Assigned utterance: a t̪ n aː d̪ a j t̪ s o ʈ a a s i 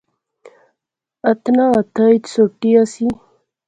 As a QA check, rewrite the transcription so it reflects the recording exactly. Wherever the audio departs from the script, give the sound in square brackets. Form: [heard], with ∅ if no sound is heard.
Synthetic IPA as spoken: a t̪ n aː [t̪] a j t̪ s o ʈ [i] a s i